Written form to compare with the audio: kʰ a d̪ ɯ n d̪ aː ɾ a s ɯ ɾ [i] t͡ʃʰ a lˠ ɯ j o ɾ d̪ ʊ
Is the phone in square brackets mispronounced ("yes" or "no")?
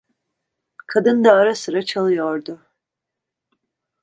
yes